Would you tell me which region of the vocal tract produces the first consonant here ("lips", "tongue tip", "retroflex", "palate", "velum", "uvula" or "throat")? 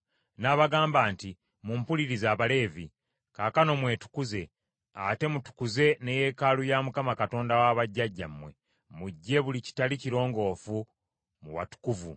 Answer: tongue tip